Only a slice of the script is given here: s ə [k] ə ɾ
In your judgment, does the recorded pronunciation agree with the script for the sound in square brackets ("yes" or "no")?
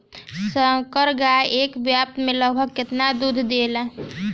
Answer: yes